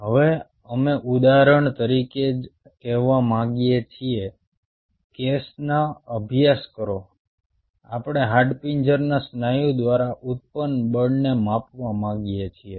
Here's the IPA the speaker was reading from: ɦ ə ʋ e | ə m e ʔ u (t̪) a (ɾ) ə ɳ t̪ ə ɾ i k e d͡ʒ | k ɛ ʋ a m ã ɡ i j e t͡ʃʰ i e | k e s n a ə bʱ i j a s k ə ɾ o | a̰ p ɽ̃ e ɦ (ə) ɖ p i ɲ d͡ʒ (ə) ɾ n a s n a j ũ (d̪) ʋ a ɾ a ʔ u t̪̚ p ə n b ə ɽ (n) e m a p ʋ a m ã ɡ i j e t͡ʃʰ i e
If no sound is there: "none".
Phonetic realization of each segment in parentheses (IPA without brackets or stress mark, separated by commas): d̪, ɾ, a, ə, d̪, n